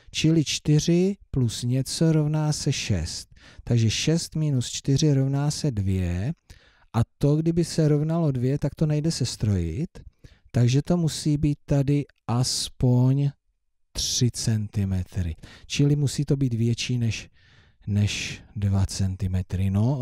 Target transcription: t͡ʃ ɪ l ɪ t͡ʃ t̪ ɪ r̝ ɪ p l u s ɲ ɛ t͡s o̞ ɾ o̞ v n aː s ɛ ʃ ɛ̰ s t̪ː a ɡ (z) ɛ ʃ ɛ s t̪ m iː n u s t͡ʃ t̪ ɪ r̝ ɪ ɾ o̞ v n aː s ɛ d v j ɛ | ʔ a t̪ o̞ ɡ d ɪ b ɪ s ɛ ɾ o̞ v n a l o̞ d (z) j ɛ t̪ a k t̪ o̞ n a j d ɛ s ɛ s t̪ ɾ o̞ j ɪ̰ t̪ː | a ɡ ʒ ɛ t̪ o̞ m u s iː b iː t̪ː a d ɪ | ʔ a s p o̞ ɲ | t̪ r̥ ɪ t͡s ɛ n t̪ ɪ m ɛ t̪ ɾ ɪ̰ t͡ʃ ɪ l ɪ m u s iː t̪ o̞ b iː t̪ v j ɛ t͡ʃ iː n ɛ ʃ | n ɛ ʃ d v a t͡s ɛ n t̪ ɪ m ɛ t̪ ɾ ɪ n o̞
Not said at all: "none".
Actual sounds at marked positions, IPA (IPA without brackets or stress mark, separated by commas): ʒ, v